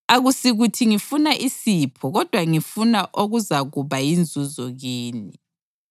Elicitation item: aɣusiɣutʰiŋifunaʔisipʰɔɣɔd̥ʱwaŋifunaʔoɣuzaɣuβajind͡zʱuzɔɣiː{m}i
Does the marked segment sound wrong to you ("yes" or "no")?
yes